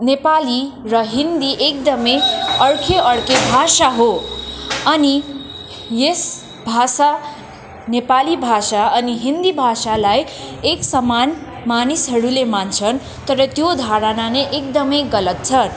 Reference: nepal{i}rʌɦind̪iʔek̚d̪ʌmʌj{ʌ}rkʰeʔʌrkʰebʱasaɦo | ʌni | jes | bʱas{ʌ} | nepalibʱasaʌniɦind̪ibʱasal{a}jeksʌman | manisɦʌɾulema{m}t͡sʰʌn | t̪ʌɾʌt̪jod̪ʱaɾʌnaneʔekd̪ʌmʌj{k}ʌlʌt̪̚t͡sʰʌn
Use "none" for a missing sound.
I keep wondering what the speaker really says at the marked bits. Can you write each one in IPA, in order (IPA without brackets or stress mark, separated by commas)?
i, ʌ, a, a, n, ɡ